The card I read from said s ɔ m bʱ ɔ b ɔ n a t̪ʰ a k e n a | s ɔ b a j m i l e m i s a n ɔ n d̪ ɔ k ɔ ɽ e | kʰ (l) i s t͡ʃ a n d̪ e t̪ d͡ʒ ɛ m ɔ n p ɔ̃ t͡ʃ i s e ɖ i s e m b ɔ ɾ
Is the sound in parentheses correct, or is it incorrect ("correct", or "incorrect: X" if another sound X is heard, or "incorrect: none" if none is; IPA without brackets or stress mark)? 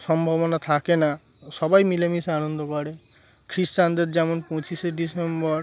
incorrect: ɾ